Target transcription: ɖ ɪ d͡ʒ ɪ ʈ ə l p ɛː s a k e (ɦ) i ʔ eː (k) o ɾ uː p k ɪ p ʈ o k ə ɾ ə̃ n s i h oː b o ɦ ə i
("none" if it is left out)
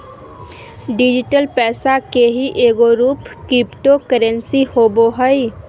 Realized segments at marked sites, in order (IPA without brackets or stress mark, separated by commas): ɦ, ɡ